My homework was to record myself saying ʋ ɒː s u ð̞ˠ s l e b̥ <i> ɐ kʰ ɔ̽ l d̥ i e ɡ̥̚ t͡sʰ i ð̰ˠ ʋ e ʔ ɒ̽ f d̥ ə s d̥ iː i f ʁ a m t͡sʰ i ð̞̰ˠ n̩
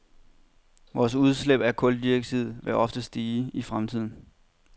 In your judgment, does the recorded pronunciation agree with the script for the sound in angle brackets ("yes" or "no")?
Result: no